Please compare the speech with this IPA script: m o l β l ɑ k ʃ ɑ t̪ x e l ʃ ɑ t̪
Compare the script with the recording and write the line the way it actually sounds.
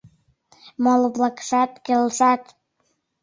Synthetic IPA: m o l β l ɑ k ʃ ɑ t̪ k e l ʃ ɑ t̪